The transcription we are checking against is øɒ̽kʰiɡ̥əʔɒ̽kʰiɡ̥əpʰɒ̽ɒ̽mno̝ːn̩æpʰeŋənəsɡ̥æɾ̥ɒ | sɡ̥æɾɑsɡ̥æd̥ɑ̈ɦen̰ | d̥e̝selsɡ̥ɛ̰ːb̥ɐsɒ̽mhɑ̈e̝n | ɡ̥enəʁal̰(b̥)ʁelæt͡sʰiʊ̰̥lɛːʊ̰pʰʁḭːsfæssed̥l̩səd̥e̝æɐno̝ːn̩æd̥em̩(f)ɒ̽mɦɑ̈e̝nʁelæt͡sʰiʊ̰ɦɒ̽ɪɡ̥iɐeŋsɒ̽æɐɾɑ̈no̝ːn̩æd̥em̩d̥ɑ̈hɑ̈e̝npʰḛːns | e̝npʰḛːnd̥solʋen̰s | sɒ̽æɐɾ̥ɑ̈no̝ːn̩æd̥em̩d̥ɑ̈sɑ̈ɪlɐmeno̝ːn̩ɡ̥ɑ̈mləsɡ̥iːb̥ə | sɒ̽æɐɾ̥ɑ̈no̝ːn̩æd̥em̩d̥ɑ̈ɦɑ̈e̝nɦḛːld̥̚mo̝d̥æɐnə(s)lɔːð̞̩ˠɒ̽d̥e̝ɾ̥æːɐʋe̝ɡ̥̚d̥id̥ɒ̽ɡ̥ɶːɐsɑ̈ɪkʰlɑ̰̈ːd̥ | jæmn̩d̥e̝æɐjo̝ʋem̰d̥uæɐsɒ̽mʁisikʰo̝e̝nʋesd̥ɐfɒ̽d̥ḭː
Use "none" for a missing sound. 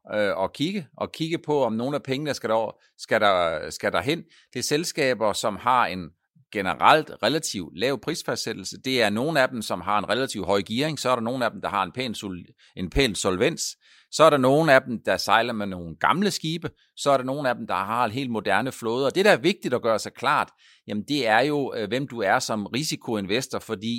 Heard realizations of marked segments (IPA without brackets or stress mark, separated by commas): d̥, s, f